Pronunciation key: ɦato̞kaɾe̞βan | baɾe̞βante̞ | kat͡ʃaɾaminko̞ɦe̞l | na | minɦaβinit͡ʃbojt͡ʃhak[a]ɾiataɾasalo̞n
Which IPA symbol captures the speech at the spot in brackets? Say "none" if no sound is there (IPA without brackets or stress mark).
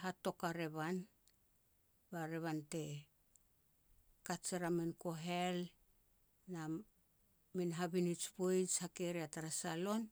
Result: e